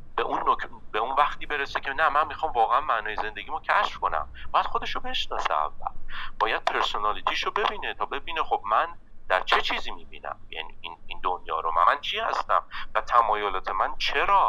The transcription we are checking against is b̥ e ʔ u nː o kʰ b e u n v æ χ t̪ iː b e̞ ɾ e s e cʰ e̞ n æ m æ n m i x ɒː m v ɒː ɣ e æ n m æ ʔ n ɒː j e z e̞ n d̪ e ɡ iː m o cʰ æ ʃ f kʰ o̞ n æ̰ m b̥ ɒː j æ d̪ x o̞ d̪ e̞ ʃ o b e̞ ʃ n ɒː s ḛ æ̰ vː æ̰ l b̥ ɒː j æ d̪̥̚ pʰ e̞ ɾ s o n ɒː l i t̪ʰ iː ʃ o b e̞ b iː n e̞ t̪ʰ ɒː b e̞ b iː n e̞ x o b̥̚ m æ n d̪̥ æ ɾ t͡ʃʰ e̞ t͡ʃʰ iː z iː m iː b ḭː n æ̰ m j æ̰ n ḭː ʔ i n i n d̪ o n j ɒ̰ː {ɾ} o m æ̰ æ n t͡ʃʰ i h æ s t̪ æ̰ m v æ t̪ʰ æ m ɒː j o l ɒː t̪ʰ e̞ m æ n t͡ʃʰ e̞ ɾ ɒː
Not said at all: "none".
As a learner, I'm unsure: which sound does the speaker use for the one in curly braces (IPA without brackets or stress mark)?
ɾ